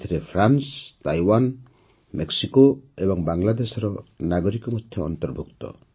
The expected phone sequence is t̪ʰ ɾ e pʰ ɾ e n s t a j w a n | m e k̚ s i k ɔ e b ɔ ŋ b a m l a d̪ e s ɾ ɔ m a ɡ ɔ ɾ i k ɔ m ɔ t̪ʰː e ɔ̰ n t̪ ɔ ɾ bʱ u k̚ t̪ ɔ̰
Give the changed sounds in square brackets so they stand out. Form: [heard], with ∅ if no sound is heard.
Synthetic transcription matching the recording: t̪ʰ ɾ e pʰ ɾ [a] n s t a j w a n | m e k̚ s i k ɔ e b ɔ ŋ b a [ŋ] l a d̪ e s ɾ ɔ [n] a ɡ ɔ ɾ i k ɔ m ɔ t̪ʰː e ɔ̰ n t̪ ɔ ɾ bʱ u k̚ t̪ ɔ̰